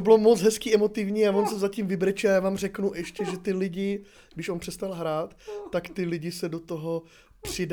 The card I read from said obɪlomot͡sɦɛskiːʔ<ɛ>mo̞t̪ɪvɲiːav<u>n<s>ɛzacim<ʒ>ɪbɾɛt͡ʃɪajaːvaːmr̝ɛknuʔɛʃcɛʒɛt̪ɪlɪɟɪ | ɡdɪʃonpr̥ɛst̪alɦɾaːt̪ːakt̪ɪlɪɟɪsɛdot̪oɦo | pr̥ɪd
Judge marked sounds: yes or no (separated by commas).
yes, no, yes, no